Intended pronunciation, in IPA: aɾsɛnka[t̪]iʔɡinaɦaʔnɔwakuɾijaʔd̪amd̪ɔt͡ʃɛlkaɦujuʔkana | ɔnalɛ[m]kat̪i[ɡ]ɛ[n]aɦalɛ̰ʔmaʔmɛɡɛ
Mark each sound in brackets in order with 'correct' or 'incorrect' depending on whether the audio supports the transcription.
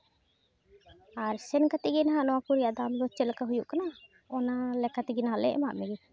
correct, incorrect: none, correct, correct

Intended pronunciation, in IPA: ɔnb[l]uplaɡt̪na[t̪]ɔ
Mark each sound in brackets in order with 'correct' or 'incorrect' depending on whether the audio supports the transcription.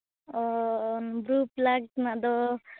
incorrect: ɾ, incorrect: d̪

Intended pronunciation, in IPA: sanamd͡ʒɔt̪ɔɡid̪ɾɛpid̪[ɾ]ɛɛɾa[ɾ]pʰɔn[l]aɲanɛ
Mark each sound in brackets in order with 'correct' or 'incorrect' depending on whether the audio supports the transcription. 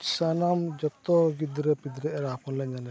correct, incorrect: none, correct

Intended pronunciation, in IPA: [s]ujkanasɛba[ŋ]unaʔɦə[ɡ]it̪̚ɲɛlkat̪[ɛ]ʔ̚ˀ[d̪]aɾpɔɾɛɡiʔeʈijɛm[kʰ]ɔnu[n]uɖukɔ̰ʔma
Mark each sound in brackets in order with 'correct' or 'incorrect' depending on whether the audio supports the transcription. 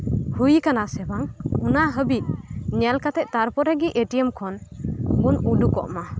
incorrect: h, correct, incorrect: b, correct, incorrect: t̪, correct, correct

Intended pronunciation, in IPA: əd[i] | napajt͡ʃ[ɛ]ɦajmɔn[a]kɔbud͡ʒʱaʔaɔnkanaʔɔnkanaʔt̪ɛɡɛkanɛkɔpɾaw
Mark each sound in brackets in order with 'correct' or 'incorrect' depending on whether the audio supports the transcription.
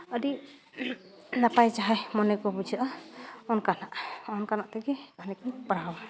correct, incorrect: a, incorrect: ɛ

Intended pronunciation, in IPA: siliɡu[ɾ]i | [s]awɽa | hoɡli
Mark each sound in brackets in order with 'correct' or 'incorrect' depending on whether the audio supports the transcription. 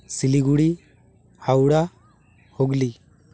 incorrect: ɽ, incorrect: h

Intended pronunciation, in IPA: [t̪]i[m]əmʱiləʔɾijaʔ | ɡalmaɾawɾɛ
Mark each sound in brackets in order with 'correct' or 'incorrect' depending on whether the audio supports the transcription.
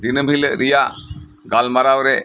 incorrect: d̪, incorrect: n

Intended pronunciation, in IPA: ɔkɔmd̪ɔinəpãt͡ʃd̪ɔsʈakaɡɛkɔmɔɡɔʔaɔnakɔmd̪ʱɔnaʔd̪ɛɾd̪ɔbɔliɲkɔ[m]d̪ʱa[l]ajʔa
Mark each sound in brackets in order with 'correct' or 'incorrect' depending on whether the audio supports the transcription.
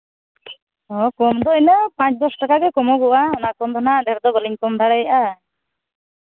correct, incorrect: ɽ

